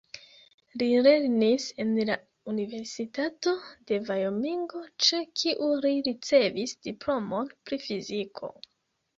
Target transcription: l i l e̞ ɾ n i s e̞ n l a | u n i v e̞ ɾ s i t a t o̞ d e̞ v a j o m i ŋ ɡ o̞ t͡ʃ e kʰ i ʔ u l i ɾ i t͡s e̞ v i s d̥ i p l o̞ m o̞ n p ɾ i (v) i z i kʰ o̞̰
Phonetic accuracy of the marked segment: incorrect: f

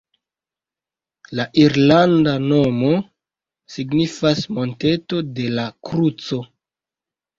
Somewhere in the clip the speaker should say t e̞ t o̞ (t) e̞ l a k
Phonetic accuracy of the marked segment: incorrect: d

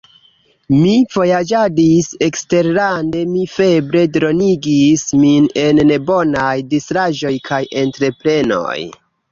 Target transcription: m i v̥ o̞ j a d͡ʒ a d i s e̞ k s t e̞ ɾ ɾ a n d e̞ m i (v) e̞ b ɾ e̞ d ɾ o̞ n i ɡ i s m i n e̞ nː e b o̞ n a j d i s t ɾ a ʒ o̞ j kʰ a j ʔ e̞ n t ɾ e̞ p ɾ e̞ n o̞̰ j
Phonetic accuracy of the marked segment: incorrect: f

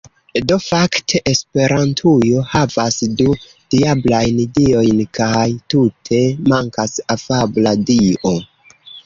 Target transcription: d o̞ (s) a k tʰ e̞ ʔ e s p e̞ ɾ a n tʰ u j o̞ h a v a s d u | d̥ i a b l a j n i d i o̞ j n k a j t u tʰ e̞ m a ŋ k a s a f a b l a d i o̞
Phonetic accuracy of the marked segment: incorrect: f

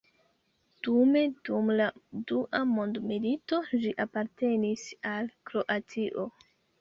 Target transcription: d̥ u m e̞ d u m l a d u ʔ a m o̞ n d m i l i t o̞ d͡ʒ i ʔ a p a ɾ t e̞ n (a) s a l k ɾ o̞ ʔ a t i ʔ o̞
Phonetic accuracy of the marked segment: incorrect: i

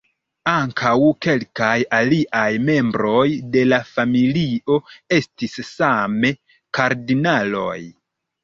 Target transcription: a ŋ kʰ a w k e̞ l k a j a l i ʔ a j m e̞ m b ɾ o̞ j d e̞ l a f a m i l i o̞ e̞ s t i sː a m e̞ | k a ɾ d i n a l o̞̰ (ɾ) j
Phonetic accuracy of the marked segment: incorrect: none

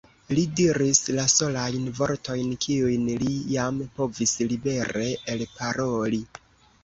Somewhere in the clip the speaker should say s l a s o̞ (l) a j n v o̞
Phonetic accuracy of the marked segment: correct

